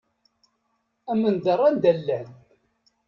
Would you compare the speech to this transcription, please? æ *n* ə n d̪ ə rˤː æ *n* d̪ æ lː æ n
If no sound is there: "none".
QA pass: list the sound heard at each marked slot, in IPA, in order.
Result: m, n

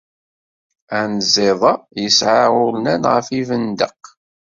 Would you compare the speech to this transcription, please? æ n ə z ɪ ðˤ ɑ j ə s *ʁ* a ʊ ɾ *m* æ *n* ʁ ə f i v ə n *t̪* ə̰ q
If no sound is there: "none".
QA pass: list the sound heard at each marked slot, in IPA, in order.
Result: ʕ, n, n, d̪

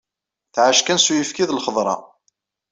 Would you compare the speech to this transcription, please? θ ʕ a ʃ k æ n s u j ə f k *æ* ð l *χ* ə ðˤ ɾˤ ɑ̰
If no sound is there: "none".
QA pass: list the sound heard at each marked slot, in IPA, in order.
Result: i, χ

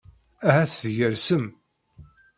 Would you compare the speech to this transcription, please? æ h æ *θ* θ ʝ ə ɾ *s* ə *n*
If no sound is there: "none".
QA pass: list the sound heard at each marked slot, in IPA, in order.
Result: θ, s, m

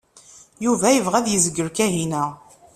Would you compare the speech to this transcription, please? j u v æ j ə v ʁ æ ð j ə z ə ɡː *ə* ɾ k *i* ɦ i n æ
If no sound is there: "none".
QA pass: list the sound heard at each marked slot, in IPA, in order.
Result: ə, æ

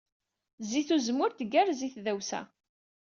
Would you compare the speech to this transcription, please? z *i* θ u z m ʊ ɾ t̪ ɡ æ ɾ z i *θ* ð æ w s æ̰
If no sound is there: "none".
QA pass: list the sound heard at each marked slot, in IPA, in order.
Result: i, θ

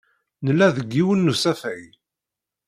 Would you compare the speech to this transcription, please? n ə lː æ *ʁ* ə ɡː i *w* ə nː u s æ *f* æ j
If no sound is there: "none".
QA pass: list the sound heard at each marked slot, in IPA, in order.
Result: ð, w, f

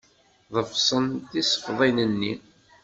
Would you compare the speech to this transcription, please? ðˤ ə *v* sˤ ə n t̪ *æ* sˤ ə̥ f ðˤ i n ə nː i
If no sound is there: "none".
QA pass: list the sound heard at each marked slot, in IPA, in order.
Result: f, i

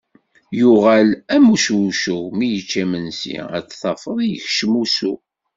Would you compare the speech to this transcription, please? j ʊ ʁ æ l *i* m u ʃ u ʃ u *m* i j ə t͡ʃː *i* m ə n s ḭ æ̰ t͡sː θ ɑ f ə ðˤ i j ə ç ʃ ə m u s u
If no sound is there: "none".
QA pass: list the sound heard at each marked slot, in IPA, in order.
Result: æ, m, æ

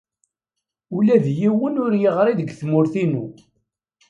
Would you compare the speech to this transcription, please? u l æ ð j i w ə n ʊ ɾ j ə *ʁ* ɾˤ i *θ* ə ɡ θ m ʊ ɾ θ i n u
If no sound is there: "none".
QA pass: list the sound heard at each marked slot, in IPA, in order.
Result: ʁ, ð

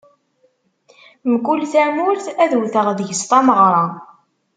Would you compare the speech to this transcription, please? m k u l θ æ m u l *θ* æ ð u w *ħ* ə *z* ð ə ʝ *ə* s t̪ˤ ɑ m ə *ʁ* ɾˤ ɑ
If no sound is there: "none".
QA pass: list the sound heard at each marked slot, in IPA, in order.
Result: θ, θ, ʁ, ə, ʁ

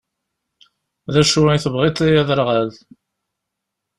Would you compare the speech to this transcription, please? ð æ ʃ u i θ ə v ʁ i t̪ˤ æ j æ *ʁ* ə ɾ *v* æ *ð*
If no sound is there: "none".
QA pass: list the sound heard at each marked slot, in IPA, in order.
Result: ð, ʁ, ð

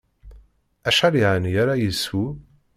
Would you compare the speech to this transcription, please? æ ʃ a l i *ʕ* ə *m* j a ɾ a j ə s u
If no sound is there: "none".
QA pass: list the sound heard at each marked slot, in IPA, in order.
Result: ʕ, n

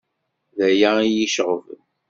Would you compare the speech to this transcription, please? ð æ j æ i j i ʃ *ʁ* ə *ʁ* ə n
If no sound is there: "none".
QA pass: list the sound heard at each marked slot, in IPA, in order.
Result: ʁ, v

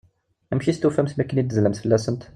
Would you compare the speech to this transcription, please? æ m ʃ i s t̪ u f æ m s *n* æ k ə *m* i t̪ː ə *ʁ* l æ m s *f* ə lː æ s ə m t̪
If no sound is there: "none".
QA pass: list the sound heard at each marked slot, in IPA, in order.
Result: m, n, z, f

